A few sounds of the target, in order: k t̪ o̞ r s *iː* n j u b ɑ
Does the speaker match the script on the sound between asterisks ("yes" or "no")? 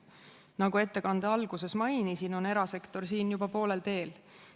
yes